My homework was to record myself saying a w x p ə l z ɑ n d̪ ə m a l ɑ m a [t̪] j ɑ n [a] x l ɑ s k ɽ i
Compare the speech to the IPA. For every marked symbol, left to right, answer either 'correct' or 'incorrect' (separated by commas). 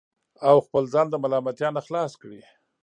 correct, correct